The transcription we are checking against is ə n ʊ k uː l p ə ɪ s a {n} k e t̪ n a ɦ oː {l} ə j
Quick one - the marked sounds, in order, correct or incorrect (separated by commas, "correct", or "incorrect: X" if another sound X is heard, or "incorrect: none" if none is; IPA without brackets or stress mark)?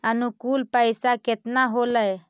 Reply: incorrect: none, correct